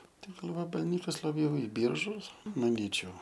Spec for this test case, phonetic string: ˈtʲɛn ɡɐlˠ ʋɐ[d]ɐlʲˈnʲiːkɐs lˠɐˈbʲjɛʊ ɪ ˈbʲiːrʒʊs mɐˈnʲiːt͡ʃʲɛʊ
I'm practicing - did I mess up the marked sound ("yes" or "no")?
yes